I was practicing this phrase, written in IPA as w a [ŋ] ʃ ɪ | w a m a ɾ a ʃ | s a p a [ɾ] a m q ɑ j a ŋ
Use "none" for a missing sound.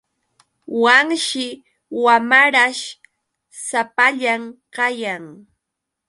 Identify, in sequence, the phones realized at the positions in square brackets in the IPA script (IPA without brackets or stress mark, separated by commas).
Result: ŋ, ʎ